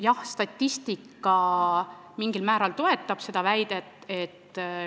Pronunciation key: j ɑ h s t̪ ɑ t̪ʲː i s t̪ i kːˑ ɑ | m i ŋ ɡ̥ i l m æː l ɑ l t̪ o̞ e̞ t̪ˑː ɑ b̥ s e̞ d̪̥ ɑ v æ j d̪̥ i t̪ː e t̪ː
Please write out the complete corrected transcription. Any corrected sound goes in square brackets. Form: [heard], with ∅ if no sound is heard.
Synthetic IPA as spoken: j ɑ h s t̪ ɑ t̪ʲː i s t̪ i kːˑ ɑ | m i ŋ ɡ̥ i l m æː [ɾ] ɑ l t̪ o̞ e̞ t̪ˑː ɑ b̥ s e̞ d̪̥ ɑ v æ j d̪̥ [e] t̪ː e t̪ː